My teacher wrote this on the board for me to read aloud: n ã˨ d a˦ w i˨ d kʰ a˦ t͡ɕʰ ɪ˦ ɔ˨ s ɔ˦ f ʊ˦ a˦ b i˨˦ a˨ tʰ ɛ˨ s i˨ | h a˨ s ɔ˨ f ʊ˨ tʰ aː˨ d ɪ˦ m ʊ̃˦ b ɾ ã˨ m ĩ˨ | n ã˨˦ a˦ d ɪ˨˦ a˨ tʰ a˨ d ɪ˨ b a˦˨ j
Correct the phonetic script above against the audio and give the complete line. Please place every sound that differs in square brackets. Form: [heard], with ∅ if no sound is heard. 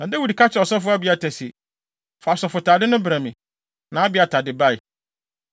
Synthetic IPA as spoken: n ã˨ d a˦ w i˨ d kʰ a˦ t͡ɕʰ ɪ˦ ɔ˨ s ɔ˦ f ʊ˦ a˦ b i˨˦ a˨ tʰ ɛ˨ s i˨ | [f] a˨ s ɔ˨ f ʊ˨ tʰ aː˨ d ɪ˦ [n] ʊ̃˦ b ɾ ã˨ m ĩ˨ | n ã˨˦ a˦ [b] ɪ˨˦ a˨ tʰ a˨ d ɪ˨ b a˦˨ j